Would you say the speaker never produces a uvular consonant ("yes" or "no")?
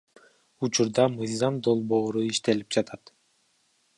yes